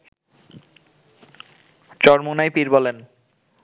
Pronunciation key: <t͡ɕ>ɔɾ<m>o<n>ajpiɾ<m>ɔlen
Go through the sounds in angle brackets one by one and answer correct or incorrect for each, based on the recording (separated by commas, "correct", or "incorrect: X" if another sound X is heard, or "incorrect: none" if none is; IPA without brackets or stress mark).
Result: correct, correct, correct, incorrect: b